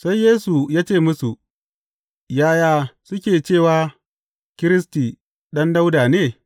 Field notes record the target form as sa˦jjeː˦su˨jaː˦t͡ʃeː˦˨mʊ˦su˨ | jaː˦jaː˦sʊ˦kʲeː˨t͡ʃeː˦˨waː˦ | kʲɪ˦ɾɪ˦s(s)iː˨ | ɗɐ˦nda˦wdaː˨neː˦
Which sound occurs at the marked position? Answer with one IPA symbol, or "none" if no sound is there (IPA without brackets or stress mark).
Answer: t